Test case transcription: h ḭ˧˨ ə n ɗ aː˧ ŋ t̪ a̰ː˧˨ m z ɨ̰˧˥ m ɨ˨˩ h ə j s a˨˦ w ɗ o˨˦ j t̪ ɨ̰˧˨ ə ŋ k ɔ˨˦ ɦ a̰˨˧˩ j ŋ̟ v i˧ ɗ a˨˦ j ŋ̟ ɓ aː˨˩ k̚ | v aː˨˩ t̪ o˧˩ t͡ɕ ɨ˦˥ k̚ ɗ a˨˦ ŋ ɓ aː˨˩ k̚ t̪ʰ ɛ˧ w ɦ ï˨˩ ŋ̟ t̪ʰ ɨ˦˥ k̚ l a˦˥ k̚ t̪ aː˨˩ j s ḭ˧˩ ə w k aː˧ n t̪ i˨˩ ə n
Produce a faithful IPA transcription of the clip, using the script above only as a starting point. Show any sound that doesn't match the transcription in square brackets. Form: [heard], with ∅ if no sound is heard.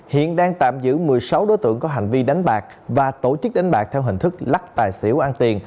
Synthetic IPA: h ḭ˧˨ ə n ɗ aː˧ ŋ t̪ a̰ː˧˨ m z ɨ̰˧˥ m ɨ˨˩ [∅] ə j s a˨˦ w ɗ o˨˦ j t̪ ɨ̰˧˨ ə ŋ k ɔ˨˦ ɦ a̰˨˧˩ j ŋ̟ v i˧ ɗ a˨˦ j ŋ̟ ɓ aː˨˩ k̚ | v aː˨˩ t̪ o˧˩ t͡ɕ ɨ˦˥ k̚ ɗ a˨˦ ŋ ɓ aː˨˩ k̚ t̪ʰ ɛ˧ w ɦ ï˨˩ ŋ̟ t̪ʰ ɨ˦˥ k̚ l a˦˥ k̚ t̪ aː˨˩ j s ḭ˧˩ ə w [ʔ] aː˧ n t̪ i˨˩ ə n